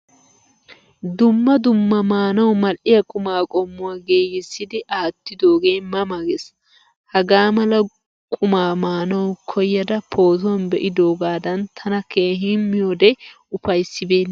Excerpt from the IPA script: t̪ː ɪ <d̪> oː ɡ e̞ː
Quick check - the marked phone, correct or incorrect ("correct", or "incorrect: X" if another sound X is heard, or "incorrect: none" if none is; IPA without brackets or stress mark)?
correct